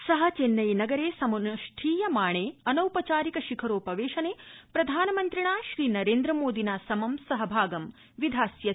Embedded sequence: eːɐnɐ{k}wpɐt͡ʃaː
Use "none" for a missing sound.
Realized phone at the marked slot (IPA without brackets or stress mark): none